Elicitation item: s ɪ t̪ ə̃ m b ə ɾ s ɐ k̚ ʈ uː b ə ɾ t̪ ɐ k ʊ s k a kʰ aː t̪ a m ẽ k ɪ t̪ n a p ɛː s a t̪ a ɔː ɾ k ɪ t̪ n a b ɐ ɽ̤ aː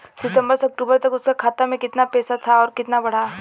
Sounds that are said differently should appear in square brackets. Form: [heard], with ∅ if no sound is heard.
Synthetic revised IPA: s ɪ t̪ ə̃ m b ə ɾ s ɐ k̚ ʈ uː b ə ɾ t̪ ɐ k ʊ s k a kʰ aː t̪ a m ẽ k ɪ t̪ n a p ɛː s a [t̪ʰ] a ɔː ɾ k ɪ t̪ n a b ɐ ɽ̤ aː